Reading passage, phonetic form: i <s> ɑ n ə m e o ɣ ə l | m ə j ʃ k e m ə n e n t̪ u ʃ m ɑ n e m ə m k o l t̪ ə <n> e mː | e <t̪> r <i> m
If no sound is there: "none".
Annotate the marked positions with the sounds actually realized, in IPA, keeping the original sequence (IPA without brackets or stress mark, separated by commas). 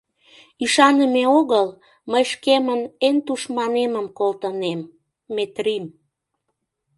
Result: ʃ, n, t̪, i